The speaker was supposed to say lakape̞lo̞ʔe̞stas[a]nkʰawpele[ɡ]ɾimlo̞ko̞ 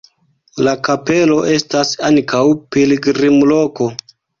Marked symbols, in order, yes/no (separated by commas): yes, yes